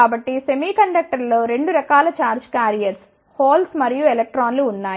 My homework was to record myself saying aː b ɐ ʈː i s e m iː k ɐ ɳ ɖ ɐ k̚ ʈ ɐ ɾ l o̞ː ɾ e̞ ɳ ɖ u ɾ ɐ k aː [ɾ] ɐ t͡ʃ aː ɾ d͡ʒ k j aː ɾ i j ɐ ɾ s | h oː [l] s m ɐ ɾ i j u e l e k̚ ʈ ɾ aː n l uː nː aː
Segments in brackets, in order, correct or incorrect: incorrect, correct

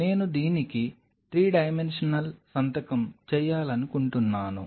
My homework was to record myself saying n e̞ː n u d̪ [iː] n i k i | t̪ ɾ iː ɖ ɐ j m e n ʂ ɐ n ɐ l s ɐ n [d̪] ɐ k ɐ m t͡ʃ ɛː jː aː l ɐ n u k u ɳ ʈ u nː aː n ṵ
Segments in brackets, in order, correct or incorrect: correct, incorrect

